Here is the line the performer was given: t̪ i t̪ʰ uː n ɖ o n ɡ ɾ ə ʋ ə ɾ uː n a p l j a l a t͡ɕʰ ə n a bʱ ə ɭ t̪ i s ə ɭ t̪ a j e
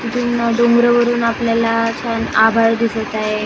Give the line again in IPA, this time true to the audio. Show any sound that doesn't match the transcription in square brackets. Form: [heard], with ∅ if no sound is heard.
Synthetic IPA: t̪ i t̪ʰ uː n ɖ o [ŋ] ɡ ɾ ə ʋ ə ɾ uː n a p l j a l a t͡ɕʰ [a] n a bʱ [a] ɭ [d̪] i s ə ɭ t̪ a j e